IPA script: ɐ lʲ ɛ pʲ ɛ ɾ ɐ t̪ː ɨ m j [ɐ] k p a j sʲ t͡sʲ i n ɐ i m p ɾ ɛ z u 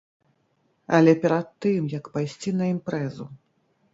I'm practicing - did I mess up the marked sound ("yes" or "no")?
no